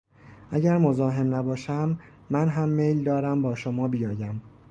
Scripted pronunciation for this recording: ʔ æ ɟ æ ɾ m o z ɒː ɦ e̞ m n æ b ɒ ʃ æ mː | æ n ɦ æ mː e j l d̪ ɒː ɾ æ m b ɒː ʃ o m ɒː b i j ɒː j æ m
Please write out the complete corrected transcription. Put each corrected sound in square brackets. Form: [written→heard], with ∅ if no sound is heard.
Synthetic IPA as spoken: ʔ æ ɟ æ ɾ m o z ɒː ɦ e̞ m n æ b [ɒ→ɒː] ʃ æ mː | æ n ɦ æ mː e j l d̪ ɒː ɾ æ m b ɒː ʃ o m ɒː b i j ɒː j æ m